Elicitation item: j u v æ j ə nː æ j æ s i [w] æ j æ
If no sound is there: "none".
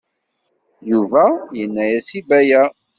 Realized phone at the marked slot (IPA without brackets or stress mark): b